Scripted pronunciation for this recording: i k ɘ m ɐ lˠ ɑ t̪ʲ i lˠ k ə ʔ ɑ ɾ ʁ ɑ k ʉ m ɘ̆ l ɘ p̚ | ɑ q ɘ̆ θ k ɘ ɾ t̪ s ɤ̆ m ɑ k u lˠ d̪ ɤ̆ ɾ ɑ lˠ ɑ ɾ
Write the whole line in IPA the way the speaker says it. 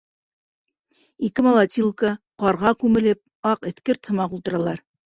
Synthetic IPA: i k ɘ m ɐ lˠ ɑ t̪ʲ i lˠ k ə q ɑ ɾ ʁ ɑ k ʉ m ɘ̆ l ɘ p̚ | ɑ q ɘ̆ θ k ɘ ɾ t̪ h ɤ̆ m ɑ q u lˠ t̪ ɤ̆ ɾ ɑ lˠ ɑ ɾ

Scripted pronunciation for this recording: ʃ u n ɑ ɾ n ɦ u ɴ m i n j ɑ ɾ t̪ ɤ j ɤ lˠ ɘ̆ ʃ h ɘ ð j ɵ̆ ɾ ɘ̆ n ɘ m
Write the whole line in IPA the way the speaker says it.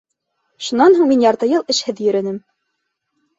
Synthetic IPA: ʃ u n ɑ n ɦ u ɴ m i n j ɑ ɾ t̪ ɤ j ɤ lˠ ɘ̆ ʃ h ɘ ð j ɵ̆ ɾ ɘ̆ n ɘ m

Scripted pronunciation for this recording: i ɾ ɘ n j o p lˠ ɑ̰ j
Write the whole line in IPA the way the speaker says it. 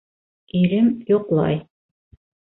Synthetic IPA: i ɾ ɘ m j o q lˠ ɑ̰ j

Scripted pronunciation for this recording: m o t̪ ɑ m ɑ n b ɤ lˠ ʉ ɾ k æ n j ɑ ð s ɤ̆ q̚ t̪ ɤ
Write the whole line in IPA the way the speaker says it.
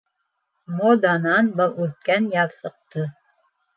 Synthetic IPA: m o d̪ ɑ n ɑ n b ɤ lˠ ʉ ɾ k æ n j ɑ ð s ɤ̆ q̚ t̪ ɤ

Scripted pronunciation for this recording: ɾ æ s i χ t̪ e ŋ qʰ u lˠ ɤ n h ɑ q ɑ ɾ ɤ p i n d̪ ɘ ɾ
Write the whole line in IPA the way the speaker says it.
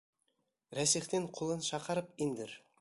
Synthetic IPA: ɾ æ s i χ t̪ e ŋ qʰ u lˠ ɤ n ʃ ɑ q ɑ ɾ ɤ p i n d̪ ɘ ɾ

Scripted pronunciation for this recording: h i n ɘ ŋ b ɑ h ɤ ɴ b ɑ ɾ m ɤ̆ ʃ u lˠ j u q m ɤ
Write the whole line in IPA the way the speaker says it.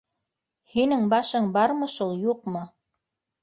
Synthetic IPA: h i n ɘ ŋ b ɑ ʃ ɤ ɴ b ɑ ɾ m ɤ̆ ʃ u lˠ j u q m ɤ

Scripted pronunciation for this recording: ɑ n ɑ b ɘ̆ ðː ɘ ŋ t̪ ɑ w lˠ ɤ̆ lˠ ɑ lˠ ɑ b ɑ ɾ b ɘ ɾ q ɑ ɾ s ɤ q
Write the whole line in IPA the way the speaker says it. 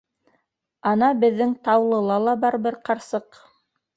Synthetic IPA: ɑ n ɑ b ɘ̆ ðː ɘ ŋ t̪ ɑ w lˠ ɤ̆ lˠ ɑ lˠ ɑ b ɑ ɾ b ɘ ɾ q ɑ ɾ s ɤ q

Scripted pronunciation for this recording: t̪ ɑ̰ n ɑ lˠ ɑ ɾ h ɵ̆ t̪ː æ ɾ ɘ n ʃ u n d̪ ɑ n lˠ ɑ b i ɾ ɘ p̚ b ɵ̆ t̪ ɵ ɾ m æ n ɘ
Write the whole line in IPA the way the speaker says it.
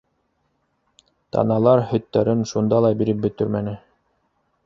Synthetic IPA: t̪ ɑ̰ n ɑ lˠ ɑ ɾ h ɵ̆ t̪ː æ ɾ ɘ n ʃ u n d̪ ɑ lˠ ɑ b i ɾ ɘ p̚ b ɵ̆ t̪ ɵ ɾ m æ n ɘ

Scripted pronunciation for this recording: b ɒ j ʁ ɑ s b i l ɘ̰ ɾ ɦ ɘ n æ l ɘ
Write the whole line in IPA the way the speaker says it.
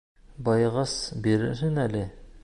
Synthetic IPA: b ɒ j ʁ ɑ s b i ɾ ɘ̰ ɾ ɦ ɘ n æ l ɘ

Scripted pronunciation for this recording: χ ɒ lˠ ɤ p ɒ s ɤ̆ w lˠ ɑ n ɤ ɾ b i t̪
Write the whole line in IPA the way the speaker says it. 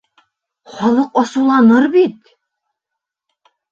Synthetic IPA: χ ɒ lˠ ɤ q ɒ s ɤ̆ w lˠ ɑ n ɤ ɾ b i t̪

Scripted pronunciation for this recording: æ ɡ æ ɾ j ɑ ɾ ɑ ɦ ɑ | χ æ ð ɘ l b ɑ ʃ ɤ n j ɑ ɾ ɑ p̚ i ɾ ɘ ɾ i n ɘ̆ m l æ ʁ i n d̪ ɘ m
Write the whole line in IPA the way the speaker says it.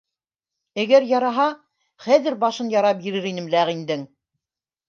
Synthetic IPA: æ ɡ æ ɾ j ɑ ɾ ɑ ɦ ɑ | χ æ ð ɘ ɾ b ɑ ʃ ɤ n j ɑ ɾ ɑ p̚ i ɾ ɘ ɾ i n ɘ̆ m l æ ʁ i n d̪ ɘ ŋ

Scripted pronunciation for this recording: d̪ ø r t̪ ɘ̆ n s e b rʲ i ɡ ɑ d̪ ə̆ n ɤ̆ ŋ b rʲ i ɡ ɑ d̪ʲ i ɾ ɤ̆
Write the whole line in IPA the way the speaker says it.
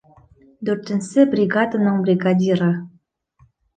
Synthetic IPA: d̪ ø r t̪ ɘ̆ n s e b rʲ i ɡ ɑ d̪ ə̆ n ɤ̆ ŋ b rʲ i ɡ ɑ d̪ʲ i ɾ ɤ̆

